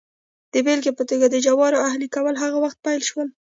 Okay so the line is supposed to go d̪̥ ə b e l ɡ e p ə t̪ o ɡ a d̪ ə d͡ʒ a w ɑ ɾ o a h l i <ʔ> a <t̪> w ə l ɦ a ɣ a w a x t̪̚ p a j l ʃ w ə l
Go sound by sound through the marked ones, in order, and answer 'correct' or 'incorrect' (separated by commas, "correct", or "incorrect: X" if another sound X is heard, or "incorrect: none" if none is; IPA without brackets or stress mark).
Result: incorrect: k, incorrect: none